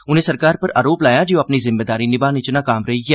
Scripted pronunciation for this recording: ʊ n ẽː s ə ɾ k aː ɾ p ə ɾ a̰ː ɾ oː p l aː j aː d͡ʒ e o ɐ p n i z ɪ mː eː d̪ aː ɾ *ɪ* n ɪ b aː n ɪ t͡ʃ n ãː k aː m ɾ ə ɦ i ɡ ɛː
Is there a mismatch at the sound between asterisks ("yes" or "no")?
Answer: yes